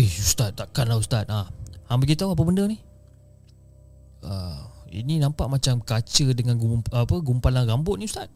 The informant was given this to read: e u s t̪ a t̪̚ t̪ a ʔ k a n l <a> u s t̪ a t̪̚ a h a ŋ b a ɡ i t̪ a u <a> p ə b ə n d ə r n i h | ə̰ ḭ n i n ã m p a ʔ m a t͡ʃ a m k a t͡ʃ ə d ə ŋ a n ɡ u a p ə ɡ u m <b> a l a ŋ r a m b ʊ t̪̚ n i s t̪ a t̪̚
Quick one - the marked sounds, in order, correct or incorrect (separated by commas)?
correct, correct, incorrect